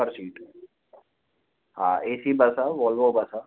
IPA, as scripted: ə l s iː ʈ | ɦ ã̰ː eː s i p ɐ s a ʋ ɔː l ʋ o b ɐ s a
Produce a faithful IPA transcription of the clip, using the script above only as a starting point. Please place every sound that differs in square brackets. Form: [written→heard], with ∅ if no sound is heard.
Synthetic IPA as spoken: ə [l→ɾ] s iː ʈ | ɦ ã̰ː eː s i [p→b] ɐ s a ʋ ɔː l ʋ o b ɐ s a